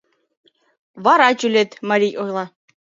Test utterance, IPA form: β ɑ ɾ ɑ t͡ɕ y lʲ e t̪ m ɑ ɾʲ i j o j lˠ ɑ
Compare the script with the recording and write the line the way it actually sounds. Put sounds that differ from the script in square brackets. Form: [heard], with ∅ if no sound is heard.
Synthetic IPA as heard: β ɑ ɾ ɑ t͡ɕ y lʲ e t̪ m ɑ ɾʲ i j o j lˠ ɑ